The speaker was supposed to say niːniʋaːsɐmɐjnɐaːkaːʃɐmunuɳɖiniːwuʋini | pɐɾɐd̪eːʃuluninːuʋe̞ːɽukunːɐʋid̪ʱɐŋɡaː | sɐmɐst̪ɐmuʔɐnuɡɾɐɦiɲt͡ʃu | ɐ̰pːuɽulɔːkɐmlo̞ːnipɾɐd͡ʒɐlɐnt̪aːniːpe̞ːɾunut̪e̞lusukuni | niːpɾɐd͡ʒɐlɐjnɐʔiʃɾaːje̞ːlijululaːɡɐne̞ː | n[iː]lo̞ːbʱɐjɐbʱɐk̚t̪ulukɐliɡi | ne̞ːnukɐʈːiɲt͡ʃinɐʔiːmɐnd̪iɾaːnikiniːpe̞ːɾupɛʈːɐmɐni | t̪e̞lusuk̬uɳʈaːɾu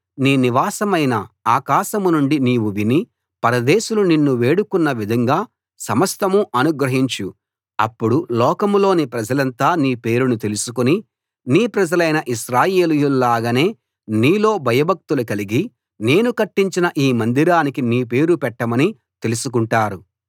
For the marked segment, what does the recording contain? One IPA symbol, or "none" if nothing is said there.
iː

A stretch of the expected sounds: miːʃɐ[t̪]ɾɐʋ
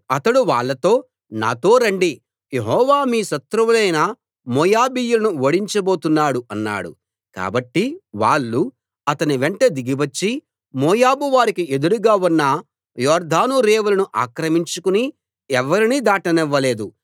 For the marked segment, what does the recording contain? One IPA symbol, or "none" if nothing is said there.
t̪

